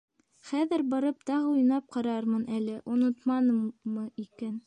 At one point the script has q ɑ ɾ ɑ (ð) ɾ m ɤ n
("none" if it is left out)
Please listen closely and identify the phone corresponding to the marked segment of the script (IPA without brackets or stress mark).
none